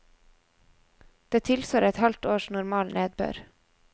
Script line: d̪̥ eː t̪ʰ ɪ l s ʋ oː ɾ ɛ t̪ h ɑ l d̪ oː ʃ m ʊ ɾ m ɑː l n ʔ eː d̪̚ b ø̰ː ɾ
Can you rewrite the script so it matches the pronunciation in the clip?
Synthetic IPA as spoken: d̪̥ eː t̪ʰ ɪ l s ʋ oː ɾ ɛ t̪ h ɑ l t̪ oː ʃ n ʊ ɾ m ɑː l n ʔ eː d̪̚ b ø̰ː ɾ